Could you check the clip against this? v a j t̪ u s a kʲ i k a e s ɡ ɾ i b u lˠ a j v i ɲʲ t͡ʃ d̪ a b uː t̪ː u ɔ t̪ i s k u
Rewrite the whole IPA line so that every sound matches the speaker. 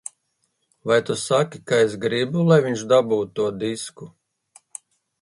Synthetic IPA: v a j t̪ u s a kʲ i k a e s ɡ ɾ i b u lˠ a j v i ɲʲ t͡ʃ d̪ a b uː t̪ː u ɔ d̪ i s k u

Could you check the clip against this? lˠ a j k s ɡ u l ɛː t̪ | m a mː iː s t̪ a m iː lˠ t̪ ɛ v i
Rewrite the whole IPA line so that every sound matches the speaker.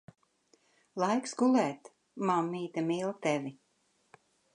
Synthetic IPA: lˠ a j k s ɡ u l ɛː t̪ | m a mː iː t̪ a m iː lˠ t̪ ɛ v i

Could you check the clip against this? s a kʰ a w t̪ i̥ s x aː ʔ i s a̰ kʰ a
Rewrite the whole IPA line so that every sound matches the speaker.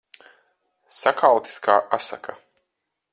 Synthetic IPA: s a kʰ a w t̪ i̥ s k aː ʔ a s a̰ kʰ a

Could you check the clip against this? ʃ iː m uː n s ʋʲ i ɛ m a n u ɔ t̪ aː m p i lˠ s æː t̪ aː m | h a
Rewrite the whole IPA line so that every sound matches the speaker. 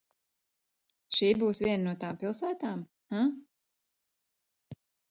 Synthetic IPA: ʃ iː b uː s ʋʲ i ɛ n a n u ɔ t̪ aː m p i lˠ s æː t̪ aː m | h a

